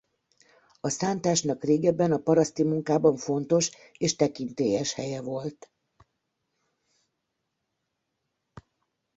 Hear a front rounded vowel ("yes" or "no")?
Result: no